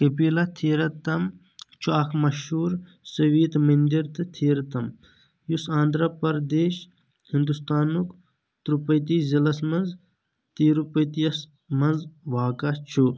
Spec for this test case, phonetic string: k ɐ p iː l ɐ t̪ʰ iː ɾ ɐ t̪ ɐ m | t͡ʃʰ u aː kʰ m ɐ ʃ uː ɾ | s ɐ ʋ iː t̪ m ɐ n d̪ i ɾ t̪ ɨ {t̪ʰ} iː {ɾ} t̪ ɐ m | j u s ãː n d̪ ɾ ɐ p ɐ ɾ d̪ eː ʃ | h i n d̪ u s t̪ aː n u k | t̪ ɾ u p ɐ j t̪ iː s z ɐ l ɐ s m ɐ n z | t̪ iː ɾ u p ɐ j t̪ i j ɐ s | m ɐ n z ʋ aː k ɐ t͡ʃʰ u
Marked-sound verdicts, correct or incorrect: correct, correct

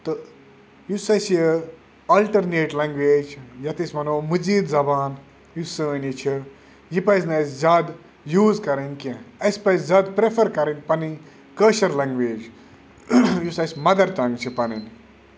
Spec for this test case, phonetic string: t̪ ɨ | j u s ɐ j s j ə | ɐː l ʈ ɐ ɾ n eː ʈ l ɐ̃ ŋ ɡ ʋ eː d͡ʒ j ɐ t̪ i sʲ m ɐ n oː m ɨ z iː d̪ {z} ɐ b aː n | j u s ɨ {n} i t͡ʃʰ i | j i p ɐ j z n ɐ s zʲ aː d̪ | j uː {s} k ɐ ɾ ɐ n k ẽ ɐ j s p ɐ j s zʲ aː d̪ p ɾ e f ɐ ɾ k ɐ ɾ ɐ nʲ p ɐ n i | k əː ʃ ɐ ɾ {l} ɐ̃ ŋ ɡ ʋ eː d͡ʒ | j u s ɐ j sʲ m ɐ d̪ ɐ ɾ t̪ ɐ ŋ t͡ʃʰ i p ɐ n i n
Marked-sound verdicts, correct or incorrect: correct, correct, incorrect: z, correct

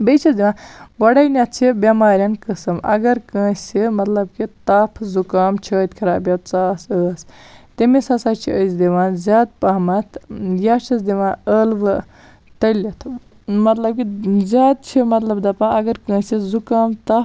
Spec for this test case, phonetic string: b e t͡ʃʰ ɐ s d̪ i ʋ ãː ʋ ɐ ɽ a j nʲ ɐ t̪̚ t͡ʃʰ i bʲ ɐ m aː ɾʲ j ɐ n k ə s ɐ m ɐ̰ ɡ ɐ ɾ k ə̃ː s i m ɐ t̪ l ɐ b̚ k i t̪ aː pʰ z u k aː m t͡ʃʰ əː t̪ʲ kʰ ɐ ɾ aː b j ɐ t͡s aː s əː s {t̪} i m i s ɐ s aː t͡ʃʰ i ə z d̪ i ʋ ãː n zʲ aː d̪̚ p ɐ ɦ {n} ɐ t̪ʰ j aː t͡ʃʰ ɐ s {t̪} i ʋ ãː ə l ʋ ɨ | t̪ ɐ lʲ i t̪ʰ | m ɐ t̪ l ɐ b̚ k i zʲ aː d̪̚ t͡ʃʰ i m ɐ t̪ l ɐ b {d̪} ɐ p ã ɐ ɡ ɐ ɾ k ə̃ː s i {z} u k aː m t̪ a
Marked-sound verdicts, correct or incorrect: correct, incorrect: m, incorrect: d̪, correct, correct

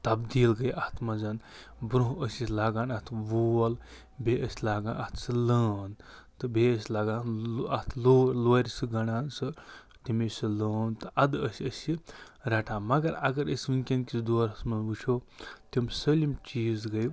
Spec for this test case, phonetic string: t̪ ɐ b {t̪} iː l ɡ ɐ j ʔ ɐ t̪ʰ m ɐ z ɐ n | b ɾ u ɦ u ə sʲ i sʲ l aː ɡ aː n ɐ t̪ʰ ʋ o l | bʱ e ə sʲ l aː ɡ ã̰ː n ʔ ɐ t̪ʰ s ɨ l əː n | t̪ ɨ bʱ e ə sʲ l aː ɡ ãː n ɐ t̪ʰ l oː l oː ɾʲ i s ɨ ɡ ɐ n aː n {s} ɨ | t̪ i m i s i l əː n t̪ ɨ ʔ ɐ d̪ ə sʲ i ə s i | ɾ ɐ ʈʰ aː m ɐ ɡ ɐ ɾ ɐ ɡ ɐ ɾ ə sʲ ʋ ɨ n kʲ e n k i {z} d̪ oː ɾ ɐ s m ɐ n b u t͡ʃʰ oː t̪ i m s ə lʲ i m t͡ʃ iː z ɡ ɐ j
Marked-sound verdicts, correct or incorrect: incorrect: d̪, correct, incorrect: s

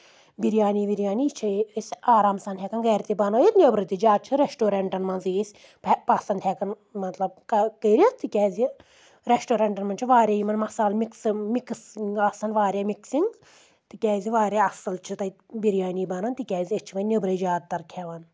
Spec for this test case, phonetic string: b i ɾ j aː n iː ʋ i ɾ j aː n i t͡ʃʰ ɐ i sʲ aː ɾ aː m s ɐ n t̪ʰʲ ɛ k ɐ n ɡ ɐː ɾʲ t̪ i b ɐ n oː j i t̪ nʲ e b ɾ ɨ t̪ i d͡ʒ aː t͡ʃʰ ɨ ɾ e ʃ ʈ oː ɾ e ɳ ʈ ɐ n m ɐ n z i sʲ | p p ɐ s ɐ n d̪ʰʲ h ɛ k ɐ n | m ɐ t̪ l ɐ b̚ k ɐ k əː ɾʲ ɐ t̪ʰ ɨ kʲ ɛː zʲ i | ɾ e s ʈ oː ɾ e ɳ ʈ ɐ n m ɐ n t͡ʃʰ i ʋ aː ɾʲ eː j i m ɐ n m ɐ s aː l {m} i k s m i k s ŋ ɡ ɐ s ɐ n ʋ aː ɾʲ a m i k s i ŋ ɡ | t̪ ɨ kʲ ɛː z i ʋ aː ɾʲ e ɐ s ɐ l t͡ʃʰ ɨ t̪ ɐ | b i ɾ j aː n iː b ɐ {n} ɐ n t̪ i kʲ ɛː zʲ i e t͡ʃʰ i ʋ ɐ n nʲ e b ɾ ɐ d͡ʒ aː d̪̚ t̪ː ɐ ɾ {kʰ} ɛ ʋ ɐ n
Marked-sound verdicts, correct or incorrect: correct, correct, correct

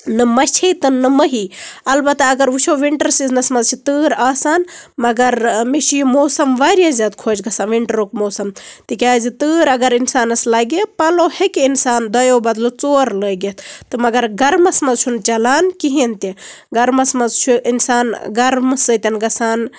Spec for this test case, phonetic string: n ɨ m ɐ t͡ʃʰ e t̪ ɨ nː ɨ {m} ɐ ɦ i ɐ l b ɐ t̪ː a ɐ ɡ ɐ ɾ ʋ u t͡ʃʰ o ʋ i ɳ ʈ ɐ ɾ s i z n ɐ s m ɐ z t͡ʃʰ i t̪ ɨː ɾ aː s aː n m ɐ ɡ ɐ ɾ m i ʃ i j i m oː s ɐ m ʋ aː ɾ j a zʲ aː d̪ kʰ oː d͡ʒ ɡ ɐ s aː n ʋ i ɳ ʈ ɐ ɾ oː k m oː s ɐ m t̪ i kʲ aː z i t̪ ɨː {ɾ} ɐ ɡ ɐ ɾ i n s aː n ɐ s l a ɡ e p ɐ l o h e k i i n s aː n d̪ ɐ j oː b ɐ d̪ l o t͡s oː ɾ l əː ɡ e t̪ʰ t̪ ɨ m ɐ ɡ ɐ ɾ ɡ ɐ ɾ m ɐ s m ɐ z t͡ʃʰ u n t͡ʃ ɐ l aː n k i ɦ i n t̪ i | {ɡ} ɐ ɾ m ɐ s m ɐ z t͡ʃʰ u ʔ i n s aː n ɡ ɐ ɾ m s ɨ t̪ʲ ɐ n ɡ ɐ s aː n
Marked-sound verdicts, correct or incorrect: correct, correct, correct

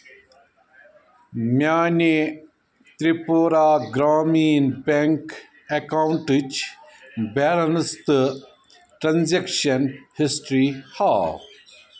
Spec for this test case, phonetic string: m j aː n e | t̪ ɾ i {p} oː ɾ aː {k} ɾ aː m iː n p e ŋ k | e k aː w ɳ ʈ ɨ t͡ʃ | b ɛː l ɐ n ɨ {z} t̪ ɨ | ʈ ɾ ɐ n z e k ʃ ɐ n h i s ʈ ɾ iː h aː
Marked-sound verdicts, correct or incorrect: correct, incorrect: ɡ, incorrect: s

